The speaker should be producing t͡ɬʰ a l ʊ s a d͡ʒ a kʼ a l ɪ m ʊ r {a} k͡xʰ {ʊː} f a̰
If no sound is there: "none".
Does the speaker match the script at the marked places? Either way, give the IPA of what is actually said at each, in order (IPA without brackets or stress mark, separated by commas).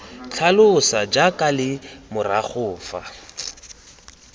a, ʊː